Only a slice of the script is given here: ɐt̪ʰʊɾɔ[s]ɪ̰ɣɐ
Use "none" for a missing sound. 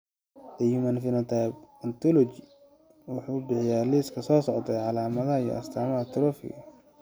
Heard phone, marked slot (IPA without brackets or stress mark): f